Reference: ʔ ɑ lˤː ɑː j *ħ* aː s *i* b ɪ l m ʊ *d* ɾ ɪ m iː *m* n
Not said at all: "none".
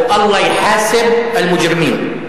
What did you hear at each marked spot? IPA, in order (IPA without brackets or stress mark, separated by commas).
ħ, ɪ, d͡ʒ, none